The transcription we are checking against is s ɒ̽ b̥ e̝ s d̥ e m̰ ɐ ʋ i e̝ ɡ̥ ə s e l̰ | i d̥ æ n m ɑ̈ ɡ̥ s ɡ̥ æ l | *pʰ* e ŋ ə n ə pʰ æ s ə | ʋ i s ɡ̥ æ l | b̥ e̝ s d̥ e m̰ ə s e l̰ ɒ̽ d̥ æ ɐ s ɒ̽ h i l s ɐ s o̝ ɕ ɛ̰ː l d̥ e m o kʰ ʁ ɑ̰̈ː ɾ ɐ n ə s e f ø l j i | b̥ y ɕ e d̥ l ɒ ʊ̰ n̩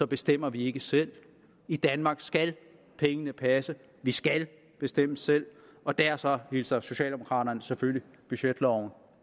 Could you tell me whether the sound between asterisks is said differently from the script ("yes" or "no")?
no